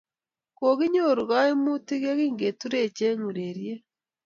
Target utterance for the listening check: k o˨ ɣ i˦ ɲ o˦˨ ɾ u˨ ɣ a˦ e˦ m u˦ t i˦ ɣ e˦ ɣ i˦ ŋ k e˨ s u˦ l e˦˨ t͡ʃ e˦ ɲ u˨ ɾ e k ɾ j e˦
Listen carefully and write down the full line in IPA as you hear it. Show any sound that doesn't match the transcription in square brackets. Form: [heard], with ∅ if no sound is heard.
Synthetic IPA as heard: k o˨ ɣ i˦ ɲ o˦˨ ɾ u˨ ɣ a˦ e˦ m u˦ t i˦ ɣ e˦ ɣ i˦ ŋ [ɡ] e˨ [t] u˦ [ɾ] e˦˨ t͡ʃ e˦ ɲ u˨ ɾ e [∅] ɾ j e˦